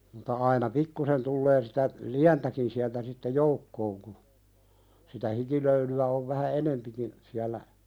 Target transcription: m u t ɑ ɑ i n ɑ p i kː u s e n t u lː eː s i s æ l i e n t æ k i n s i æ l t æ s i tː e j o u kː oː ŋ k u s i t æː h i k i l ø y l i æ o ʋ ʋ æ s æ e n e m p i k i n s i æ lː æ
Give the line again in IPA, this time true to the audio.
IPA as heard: m u t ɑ ɑ i n ɑ p i kː u s e n t u lː eː s i t æ l i æ n t æ k i n s i æ l t æ s i tː e j o u kː oː ŋ k u s i t æ h i k i l ø y l y æ o ʋ ʋ æ h æ e n e m p i k i n s i æ lː æ

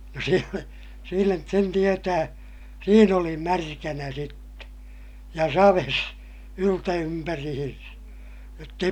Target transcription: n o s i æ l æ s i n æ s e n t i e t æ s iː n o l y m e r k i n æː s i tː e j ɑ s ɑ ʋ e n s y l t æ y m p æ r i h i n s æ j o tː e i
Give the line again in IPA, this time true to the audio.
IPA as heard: n o s i e l æ s iː n æ s e n t i e t æː s iː n o l i m æ r k æ n æ s i tː e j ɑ s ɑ ʋ e s y l t æ y m p æ r i h i n s æ j o tː e i

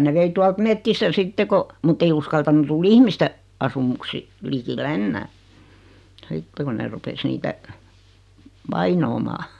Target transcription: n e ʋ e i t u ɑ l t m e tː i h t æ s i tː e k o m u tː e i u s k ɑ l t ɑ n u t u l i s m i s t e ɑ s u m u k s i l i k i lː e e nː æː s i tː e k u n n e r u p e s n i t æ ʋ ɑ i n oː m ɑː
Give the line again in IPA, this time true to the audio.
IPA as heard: n e ʋ e i t u ɑ l t m e tː i s t æ s i tː e k o m u tː e i u s k ɑ l t ɑ n u t u l i h m i s t e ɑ s u m u k s i l i k i lː e e nː æː s i tː e k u n n e r u p e s n iː t æ ʋ ɑ i n oː m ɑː

